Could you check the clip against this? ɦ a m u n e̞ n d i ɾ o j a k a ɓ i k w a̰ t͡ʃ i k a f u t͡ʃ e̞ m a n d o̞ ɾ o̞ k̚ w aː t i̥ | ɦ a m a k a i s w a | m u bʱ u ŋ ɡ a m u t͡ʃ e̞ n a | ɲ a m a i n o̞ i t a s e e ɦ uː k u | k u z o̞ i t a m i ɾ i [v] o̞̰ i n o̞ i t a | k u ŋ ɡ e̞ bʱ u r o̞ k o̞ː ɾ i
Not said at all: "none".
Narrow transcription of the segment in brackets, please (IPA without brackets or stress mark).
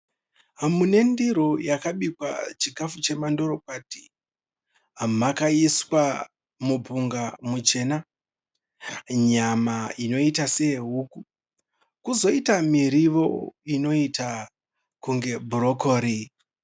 ʋ